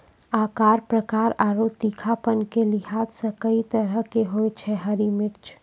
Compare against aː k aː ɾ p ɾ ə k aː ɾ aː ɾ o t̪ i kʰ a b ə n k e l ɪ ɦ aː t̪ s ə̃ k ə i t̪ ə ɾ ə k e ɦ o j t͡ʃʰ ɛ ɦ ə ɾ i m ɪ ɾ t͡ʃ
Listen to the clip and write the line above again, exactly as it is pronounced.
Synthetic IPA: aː k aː ɾ p ɾ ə k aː ɾ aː ɾ o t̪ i kʰ a p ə n k e l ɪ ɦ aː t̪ s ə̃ k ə i t̪ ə ɾ ə k e ɦ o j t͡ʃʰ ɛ ɦ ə ɾ i m ɪ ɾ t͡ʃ